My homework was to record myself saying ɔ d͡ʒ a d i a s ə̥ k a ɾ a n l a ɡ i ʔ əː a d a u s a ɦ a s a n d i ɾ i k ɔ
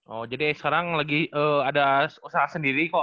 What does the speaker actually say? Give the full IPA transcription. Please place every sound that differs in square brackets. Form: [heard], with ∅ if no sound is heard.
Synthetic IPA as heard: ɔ d͡ʒ a d i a s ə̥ k a ɾ a [ŋ] l a ɡ i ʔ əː a d a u s a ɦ a s [ə] n d i ɾ i k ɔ